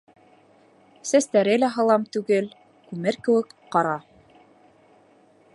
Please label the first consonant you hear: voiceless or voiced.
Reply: voiceless